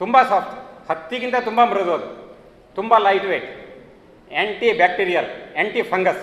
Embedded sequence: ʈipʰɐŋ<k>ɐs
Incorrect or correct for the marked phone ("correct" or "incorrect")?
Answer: incorrect